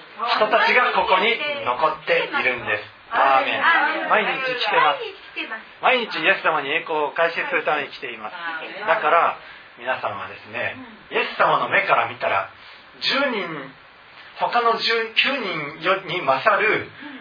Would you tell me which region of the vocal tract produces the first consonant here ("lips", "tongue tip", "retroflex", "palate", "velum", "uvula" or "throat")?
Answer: palate